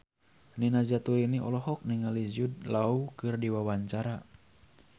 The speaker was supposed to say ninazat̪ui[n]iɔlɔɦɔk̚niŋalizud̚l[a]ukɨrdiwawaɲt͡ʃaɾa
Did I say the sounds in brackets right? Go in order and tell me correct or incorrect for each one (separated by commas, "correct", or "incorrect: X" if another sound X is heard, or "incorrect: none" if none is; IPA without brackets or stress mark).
correct, correct